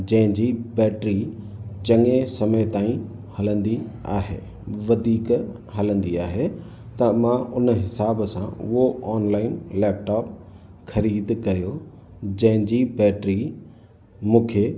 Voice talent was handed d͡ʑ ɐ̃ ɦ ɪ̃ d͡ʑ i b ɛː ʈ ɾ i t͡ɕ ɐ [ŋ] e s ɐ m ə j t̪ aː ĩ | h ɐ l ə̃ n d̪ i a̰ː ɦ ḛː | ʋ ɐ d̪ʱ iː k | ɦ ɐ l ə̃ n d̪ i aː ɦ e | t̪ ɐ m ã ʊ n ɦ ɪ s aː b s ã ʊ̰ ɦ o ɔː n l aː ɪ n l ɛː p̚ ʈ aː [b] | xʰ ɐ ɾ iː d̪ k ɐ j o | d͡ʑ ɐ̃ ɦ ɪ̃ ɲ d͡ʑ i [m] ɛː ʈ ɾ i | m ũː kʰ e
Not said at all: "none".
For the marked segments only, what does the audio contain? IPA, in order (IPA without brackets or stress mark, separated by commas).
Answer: ŋ, p, b